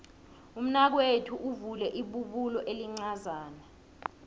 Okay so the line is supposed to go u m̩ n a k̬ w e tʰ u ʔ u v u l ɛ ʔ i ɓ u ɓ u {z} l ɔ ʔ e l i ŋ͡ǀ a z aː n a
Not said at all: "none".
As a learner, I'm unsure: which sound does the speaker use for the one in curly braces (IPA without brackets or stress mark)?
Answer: none